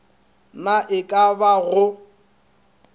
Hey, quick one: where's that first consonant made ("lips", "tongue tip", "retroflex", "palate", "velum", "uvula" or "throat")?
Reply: tongue tip